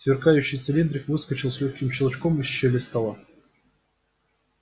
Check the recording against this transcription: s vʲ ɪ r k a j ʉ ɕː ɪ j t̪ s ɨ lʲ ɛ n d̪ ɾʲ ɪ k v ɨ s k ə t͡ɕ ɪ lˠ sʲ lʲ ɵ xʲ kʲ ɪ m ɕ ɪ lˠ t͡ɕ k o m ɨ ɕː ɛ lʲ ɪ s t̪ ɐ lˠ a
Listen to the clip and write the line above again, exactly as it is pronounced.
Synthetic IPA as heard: s vʲ ɪ r k a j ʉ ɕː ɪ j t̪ s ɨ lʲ i n d̪ ɾʲ ɪ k v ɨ s k ə t͡ɕ ɪ lˠ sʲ lʲ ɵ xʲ kʲ ɪ m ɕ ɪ lˠ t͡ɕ k o m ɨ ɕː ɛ lʲ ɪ s t̪ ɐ lˠ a